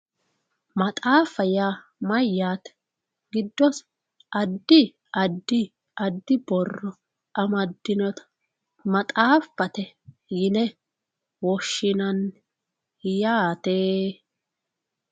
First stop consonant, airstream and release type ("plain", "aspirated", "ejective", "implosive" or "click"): ejective